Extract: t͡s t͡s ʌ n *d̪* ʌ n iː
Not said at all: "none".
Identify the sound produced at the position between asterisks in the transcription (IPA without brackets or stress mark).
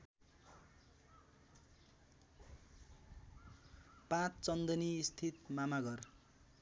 d̪